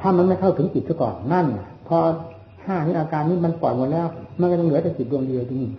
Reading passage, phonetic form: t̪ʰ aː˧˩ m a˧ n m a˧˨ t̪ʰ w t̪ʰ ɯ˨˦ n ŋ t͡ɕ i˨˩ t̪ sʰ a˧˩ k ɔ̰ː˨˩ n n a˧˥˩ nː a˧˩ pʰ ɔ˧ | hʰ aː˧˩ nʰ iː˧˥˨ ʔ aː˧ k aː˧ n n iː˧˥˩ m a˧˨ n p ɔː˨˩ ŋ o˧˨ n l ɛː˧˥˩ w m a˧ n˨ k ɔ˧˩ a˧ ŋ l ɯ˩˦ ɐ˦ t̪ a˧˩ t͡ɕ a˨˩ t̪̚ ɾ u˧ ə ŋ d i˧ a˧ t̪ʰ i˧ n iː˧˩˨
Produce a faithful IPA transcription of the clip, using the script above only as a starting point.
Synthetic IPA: t̪ʰ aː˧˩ m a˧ n m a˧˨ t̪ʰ w t̪ʰ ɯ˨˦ ŋ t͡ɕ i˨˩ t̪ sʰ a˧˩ k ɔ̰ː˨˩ n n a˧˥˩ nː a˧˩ pʰ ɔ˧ | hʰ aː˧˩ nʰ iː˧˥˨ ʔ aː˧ k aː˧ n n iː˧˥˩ m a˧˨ n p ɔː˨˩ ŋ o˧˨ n l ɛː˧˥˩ w m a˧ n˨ k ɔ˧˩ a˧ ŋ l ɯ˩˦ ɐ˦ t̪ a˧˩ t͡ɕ i˨˩ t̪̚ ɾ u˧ ə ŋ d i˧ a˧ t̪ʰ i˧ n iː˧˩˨

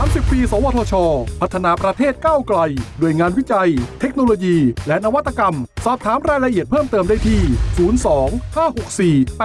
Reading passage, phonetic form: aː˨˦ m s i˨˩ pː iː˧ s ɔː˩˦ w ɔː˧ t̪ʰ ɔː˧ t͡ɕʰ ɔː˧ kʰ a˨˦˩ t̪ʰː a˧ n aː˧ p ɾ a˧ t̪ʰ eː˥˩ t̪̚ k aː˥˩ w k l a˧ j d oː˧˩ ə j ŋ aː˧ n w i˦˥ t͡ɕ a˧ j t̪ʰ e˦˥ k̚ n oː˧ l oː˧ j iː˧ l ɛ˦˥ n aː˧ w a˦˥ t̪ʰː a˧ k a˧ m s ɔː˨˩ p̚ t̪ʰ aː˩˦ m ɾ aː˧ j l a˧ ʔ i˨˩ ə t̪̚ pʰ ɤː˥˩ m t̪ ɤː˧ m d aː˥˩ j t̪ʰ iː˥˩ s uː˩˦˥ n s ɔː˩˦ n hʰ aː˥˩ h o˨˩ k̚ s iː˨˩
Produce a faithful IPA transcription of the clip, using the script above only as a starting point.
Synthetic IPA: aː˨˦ m s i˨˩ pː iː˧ s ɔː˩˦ w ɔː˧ t̪ʰ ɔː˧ t͡ɕʰ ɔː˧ pʰ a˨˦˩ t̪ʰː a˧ n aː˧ p ɾ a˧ t̪ʰ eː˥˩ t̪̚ k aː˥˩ w k l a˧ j d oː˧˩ ə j ŋ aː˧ n w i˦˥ t͡ɕ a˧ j t̪ʰ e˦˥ k̚ n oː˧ l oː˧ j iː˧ l ɛ˦˥ n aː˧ w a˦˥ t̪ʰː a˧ k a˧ m s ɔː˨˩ p̚ t̪ʰ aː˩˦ m ɾ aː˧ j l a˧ ʔ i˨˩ ə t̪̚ pʰ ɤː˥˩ m t̪ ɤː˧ m d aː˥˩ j t̪ʰ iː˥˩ s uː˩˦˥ n s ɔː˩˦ ŋ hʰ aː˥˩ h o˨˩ k̚ s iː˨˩

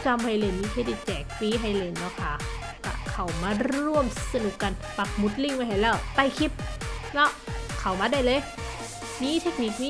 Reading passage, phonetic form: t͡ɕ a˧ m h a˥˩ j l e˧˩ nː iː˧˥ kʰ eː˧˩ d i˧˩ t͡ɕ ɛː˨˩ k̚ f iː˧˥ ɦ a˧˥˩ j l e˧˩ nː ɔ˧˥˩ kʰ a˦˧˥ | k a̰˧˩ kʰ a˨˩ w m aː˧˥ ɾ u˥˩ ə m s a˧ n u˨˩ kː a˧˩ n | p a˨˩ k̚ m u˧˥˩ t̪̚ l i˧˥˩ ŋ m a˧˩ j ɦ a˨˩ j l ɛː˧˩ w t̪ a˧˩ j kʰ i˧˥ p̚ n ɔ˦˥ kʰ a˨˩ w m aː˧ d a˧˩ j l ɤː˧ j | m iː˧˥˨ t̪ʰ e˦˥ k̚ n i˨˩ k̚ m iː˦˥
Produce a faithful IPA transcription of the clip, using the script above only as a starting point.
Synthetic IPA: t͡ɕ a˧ m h a˧ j l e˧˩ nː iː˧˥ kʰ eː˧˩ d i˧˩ t͡ɕ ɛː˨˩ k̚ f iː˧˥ ɦ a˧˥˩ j l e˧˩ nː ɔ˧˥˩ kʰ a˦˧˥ | k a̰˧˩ kʰ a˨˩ w m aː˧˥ ɾ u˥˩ ə m s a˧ n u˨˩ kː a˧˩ n | p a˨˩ k̚ m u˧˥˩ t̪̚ l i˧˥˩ ŋ m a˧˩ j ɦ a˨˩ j l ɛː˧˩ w t̪ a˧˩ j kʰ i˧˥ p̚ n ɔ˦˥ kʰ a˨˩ w m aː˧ d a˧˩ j l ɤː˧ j | m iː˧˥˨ t̪ʰ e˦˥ k̚ n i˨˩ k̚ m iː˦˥

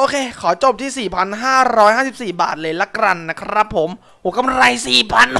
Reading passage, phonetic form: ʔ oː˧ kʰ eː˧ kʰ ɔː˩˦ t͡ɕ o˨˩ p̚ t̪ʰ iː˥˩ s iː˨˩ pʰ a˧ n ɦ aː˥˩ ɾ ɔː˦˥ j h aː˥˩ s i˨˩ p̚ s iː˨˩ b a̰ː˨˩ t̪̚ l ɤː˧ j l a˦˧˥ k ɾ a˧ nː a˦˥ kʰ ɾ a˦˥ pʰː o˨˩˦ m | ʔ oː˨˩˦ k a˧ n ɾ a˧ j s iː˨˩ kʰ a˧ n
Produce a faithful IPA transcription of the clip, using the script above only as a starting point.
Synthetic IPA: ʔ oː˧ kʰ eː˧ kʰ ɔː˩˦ t͡ɕ o˨˩ p̚ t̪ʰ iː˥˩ s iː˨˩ pʰ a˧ n ɦ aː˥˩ ɾ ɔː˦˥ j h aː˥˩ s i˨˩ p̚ s iː˨˩ b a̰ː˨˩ t̪̚ l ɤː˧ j l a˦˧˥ k ɾ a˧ nː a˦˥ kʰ ɾ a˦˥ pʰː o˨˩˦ m | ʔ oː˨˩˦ k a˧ m ɾ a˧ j s iː˨˩ pʰ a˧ n

